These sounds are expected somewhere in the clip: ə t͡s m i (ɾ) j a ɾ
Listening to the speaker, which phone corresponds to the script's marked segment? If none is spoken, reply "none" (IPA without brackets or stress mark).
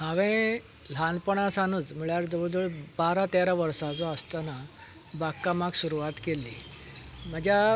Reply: ɭ